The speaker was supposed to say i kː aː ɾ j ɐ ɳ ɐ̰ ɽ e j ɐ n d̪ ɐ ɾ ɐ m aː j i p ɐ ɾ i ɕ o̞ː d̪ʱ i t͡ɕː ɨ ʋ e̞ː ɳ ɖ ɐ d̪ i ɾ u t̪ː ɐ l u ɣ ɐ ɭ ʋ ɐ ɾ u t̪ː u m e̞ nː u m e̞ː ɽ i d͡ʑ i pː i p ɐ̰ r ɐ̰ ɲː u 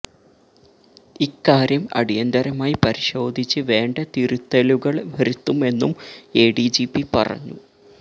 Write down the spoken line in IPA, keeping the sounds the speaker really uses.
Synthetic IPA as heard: i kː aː ɾ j ɐ m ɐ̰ ɽ i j ɐ n d̪ ɐ ɾ ɐ m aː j i p ɐ ɾ i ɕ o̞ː d̪ʱ i t͡ɕː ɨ ʋ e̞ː ɳ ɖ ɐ t̪ i ɾ u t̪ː ɐ l u ɣ ɐ ɭ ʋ ɐ ɾ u t̪ː u m e̞ nː u m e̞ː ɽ i d͡ʑ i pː i p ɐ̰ r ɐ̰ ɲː u